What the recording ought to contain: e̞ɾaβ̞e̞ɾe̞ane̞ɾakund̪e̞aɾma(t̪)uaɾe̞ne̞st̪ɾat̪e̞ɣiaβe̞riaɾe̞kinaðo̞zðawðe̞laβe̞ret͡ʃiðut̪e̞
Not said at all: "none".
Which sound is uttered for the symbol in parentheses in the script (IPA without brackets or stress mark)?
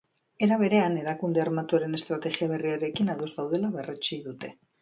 t̪